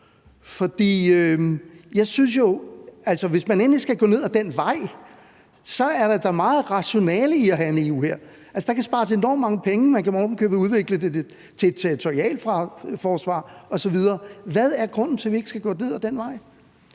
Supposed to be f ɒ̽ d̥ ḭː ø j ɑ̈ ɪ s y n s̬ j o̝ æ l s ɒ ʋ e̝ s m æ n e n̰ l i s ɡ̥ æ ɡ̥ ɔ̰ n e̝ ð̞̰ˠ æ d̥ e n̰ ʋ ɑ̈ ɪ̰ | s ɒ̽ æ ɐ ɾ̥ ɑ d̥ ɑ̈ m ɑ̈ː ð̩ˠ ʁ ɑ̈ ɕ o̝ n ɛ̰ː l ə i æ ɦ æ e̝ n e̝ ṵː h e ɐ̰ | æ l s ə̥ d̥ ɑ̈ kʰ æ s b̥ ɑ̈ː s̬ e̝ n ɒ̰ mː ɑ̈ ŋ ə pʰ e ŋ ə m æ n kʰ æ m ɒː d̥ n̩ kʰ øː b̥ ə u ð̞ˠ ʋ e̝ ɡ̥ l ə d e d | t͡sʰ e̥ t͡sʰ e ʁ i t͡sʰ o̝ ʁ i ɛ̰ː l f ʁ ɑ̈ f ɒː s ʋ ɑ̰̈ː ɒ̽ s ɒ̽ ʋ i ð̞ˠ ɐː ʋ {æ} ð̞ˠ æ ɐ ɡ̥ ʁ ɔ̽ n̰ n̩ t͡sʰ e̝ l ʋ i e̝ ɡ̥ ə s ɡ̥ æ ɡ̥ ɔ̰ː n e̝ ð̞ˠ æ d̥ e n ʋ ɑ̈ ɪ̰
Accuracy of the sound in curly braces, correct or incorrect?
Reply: correct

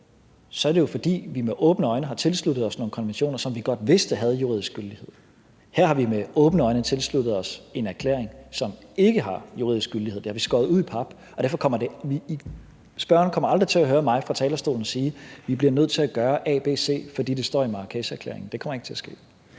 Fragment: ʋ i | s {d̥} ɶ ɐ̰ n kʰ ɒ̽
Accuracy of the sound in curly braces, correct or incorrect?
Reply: incorrect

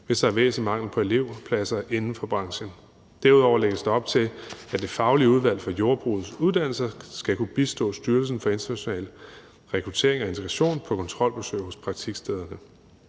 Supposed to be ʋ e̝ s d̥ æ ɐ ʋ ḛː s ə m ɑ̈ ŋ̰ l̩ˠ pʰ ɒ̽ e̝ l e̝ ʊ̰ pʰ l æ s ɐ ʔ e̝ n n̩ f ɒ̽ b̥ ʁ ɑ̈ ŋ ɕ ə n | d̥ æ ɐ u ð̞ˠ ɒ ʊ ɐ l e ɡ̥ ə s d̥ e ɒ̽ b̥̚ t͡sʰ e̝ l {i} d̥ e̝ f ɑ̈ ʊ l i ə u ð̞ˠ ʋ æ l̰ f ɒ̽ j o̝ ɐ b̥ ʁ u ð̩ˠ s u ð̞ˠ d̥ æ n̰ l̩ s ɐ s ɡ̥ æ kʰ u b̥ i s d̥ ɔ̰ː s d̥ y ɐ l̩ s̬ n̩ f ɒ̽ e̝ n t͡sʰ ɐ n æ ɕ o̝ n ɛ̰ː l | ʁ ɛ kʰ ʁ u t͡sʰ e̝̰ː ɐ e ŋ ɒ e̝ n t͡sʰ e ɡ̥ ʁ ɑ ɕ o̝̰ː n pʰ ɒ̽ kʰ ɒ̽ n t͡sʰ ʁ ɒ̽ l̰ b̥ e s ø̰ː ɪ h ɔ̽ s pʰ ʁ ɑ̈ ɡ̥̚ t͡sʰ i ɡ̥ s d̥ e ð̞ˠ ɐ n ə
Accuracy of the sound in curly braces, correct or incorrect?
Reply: incorrect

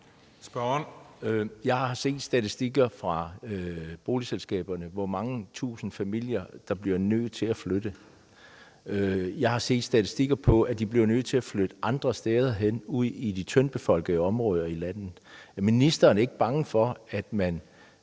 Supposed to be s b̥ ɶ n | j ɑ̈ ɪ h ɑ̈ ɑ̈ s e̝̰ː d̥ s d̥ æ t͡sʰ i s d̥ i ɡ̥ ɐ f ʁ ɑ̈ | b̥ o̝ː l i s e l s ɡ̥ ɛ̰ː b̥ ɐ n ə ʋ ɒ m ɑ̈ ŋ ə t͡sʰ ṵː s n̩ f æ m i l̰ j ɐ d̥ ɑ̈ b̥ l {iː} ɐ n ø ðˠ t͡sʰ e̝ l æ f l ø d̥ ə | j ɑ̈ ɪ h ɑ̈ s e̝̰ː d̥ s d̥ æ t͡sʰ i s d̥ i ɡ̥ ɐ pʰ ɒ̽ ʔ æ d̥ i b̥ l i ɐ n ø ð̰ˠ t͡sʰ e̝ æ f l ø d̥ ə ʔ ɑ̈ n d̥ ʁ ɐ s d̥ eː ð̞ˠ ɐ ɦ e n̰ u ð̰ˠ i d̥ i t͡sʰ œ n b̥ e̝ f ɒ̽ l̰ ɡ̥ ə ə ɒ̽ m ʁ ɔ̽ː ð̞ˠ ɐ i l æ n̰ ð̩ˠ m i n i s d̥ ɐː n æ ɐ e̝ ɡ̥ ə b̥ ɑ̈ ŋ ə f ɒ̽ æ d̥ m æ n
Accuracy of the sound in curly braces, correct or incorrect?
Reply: incorrect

